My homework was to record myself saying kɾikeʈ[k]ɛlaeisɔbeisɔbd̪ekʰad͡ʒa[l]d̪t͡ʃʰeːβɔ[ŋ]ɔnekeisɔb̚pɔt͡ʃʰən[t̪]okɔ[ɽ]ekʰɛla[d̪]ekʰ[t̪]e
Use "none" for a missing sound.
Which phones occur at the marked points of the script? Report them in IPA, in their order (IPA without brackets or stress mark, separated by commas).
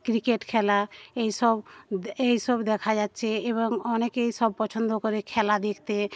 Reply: kʰ, none, ŋ, d̪, ɾ, d̪, t̪